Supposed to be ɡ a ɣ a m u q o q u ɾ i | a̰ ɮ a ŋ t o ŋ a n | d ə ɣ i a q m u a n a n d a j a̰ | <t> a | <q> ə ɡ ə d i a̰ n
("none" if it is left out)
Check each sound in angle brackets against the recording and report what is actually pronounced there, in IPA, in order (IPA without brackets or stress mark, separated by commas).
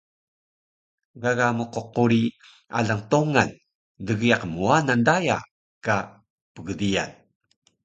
k, p